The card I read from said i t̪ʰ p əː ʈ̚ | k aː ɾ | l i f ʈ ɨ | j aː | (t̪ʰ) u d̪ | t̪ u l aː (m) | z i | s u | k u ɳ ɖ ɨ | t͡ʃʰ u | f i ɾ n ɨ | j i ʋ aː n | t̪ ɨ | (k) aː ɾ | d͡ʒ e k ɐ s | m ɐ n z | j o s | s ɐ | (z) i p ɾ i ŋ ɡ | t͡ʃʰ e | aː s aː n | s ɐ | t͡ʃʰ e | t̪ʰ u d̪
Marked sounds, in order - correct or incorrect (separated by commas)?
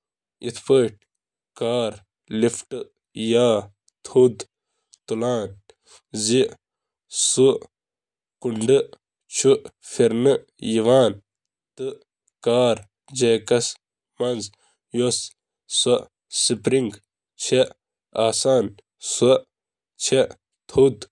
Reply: correct, incorrect, correct, incorrect